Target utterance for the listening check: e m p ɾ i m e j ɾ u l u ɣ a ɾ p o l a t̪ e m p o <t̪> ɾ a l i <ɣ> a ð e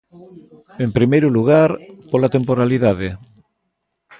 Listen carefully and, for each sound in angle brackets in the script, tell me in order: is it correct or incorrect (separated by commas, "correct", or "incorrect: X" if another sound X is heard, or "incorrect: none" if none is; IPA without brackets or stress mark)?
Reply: incorrect: none, incorrect: ð